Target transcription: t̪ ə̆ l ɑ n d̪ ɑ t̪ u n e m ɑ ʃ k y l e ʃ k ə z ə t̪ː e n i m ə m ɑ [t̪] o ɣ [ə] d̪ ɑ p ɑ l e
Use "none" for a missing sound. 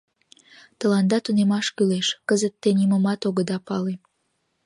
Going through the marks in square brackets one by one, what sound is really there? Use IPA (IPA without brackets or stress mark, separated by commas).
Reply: t̪, ə